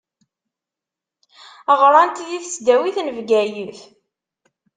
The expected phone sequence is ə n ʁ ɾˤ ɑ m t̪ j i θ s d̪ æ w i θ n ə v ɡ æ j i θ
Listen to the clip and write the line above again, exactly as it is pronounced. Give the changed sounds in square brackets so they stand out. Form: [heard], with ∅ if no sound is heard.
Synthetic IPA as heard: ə [∅] ʁ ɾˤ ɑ [n] t̪ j i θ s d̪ æ w i θ n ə v ɡ æ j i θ